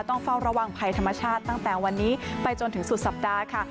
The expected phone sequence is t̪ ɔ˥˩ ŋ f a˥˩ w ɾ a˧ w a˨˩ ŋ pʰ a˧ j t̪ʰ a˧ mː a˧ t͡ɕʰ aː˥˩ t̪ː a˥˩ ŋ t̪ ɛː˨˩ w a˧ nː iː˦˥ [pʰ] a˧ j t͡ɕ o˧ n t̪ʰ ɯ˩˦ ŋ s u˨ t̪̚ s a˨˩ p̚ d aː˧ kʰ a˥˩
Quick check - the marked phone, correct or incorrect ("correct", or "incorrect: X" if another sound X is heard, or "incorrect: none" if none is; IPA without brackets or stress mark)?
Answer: incorrect: p